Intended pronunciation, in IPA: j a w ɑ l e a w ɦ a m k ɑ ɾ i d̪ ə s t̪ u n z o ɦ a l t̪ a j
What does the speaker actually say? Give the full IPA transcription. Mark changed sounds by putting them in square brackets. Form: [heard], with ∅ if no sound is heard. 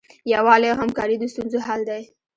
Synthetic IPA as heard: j a w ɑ l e a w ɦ a m k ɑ ɾ i d̪ ə s t̪ u n z o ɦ a l [d̪] a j